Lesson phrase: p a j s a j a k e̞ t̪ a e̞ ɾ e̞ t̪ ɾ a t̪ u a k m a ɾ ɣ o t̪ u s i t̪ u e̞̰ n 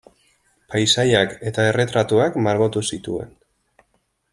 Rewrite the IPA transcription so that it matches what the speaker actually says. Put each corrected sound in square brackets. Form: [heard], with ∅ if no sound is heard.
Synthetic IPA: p a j s a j a k e̞ t̪ a e̞ [r] e̞ t̪ ɾ a t̪ u a k m a ɾ ɣ o t̪ u s i t̪ u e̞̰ n